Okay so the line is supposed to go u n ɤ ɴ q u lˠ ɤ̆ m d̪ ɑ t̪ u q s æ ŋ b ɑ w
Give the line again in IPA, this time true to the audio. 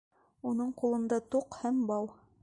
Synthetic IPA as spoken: u n ɤ ɴ q u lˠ ɤ̆ n d̪ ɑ t̪ u q h æ m b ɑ w